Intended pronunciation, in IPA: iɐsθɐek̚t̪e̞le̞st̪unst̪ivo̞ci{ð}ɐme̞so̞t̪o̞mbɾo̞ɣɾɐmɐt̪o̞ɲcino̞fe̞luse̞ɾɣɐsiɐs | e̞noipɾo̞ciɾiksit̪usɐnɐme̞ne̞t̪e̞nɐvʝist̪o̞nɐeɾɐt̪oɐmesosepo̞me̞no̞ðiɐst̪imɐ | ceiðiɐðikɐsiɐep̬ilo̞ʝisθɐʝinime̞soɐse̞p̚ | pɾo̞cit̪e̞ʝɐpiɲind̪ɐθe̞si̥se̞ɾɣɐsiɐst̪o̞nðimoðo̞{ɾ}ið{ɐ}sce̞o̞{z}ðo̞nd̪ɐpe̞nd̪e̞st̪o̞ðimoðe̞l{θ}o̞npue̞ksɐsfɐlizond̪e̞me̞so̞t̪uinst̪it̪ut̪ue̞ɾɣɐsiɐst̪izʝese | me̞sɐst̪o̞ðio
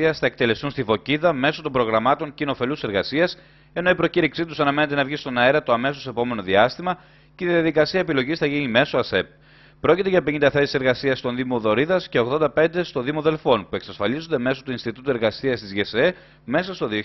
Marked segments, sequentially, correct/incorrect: correct, correct, correct, incorrect, incorrect

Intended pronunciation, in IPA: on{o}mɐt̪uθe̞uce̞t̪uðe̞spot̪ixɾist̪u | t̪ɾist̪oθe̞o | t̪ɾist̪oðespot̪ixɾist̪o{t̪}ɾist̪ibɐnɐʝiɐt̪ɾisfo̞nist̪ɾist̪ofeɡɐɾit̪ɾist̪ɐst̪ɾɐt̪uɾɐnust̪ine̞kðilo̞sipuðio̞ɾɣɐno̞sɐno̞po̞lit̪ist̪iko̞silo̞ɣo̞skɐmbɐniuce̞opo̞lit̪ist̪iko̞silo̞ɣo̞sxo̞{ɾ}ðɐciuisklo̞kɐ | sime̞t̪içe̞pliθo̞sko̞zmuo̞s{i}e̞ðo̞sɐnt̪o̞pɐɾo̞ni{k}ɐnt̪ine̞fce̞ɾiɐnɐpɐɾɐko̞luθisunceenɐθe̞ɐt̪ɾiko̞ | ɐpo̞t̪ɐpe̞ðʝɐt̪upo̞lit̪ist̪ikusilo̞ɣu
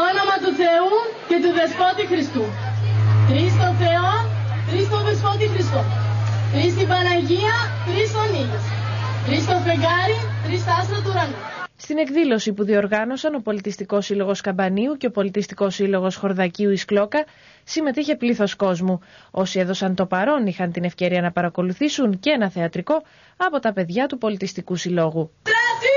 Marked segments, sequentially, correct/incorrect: correct, correct, correct, correct, incorrect

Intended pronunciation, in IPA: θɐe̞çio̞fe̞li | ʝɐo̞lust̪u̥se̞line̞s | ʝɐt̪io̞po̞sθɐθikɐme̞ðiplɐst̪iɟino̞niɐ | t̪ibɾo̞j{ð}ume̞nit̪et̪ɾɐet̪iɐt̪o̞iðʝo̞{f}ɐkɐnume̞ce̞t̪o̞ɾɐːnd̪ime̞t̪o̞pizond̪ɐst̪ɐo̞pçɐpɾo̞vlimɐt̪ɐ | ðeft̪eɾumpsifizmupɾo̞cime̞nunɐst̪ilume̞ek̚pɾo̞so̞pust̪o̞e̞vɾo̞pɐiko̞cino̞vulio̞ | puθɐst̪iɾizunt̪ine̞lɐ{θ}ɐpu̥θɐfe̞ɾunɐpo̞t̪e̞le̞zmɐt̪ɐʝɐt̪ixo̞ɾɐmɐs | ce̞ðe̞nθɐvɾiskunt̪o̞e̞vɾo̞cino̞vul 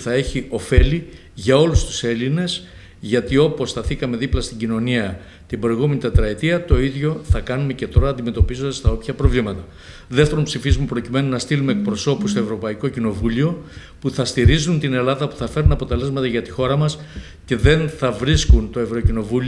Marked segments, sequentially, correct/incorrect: incorrect, incorrect, incorrect

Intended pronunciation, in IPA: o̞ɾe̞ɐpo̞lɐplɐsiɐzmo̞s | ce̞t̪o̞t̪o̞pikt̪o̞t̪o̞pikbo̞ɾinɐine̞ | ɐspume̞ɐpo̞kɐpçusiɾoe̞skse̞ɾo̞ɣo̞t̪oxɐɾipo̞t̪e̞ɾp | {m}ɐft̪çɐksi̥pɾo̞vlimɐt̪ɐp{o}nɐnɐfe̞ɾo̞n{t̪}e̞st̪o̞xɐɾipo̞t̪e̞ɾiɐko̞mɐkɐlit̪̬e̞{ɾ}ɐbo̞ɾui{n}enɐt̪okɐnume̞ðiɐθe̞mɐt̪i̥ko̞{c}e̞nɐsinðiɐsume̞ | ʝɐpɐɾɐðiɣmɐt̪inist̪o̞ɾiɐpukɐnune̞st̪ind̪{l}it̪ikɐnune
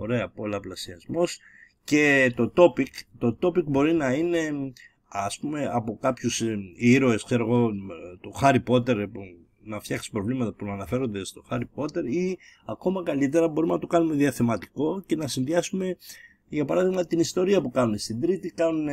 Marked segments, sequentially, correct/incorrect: incorrect, incorrect, incorrect, correct, incorrect, correct, incorrect

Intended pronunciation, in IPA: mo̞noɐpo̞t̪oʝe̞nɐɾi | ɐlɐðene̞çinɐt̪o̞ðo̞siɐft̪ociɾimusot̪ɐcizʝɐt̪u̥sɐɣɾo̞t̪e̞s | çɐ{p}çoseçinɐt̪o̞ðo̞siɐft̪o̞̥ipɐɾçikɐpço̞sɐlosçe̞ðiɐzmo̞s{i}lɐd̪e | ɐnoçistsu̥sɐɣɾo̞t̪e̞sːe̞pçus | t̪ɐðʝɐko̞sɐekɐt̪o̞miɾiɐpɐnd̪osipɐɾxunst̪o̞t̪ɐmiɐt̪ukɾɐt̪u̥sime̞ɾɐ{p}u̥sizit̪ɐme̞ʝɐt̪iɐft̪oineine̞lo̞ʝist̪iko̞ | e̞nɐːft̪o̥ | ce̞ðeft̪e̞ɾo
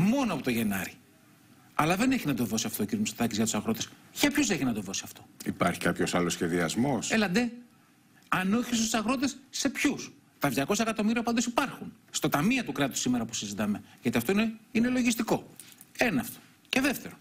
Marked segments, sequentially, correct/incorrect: correct, incorrect, correct

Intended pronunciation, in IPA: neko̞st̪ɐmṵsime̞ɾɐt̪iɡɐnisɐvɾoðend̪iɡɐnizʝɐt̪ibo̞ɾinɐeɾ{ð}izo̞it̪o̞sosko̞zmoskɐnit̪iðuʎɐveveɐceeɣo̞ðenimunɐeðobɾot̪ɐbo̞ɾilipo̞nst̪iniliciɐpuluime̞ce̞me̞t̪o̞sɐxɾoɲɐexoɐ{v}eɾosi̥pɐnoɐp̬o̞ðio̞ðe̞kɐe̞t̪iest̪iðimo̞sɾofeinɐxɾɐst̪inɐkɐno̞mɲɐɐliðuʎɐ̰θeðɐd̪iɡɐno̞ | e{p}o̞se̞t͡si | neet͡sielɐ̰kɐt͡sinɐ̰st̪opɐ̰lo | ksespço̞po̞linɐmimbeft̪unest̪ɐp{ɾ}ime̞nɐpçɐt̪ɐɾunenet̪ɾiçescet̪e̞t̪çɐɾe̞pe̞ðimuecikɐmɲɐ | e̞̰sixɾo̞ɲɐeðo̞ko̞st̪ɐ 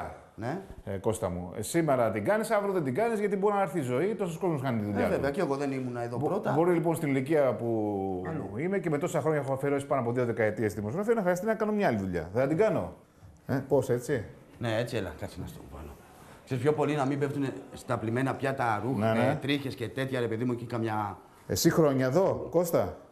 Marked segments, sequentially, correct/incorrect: incorrect, incorrect, correct, incorrect

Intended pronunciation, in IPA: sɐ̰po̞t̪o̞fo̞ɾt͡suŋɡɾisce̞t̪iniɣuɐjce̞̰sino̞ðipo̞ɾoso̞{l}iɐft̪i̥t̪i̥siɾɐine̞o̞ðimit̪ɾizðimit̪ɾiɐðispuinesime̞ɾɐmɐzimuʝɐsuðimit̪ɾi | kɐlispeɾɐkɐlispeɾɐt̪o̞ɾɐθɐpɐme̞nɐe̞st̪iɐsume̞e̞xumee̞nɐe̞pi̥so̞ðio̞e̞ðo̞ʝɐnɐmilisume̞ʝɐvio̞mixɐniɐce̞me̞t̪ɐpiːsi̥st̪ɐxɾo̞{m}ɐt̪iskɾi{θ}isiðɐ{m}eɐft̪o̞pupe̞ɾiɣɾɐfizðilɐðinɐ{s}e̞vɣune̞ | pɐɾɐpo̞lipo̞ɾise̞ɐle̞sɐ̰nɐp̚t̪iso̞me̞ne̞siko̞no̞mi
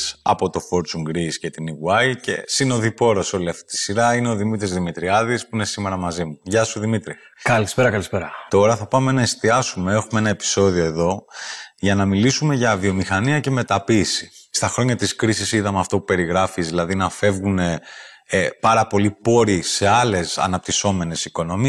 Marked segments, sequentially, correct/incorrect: correct, incorrect, incorrect, correct, incorrect

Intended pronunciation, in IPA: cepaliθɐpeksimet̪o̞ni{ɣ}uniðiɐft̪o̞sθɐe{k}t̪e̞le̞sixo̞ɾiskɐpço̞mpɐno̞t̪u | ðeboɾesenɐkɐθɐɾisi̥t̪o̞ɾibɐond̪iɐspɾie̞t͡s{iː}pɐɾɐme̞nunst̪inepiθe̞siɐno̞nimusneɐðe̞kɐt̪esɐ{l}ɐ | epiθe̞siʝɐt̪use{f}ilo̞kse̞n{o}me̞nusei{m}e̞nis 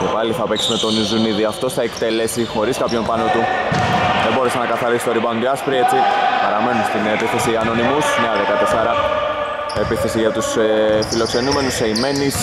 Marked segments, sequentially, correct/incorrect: incorrect, correct, incorrect, incorrect, correct, incorrect, correct

